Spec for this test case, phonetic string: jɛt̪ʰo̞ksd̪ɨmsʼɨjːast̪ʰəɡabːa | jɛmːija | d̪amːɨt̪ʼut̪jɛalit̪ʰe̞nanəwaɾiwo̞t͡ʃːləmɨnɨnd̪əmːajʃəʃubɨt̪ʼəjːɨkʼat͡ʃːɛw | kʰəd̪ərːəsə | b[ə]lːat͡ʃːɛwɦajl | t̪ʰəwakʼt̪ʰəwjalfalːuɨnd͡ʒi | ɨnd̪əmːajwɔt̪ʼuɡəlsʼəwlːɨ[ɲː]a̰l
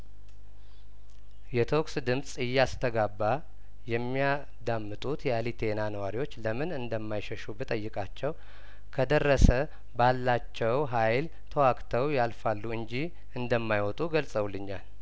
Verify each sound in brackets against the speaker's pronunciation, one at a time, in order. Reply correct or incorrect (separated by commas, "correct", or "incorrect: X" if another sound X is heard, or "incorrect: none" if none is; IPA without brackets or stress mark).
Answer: incorrect: a, correct